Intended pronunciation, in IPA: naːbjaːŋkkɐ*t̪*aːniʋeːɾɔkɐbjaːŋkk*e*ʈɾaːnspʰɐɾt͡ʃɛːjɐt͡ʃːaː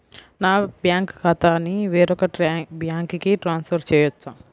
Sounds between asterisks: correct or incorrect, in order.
correct, incorrect: i

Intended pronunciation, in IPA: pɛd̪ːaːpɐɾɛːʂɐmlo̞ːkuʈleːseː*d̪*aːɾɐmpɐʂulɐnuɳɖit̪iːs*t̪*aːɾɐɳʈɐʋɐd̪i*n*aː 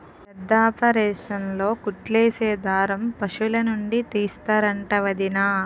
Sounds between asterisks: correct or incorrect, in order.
correct, correct, correct

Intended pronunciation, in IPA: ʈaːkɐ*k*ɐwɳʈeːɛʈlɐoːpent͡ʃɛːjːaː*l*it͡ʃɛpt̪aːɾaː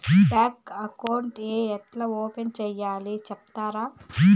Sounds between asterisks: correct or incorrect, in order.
correct, correct

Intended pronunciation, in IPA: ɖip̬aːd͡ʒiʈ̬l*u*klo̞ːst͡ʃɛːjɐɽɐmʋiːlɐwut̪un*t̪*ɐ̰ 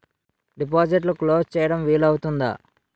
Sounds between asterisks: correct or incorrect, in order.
correct, incorrect: d̪

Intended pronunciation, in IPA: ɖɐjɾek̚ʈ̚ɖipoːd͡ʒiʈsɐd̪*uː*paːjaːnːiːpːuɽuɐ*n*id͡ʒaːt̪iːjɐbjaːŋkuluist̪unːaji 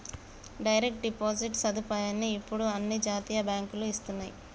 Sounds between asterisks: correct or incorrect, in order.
incorrect: u, incorrect: nː

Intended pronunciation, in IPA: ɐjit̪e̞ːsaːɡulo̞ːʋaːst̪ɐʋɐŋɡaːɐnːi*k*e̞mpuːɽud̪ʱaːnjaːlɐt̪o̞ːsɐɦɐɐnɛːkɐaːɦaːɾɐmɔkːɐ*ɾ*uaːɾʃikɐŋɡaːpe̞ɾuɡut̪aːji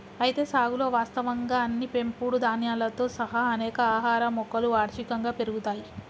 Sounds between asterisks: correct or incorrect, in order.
incorrect: p, incorrect: l

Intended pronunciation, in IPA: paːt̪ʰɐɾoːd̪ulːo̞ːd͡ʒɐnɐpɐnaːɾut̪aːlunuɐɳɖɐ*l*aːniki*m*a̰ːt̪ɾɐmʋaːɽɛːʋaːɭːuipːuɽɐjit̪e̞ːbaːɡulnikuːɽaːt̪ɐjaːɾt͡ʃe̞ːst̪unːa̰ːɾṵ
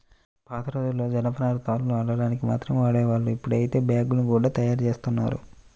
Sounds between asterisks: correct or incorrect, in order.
incorrect: ɽ, correct

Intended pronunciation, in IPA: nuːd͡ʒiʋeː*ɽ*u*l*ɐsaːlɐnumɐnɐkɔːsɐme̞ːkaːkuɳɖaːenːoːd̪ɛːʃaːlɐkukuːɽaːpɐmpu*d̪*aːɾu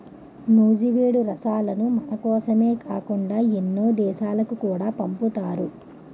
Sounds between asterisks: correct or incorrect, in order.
correct, incorrect: ɾ, incorrect: t̪

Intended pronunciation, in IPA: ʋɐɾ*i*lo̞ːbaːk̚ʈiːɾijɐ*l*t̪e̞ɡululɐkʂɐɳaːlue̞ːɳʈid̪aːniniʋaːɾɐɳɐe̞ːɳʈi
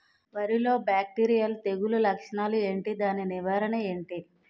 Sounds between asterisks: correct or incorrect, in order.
correct, correct

